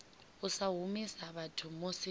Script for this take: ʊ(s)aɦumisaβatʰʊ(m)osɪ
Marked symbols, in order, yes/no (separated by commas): yes, yes